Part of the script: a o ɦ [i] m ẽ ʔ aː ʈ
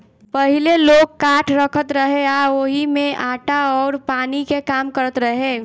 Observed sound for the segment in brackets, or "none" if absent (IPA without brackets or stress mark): i